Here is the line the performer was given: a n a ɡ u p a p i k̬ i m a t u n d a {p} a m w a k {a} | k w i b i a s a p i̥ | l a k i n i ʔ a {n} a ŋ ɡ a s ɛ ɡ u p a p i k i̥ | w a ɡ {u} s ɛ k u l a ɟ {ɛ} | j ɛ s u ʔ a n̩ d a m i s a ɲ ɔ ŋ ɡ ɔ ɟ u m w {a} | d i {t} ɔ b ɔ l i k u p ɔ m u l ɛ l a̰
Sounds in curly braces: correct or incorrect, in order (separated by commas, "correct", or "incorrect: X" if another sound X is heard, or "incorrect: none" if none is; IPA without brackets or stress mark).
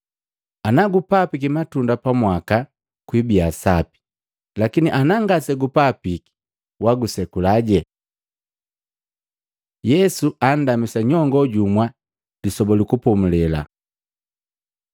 correct, correct, correct, correct, correct, correct, incorrect: s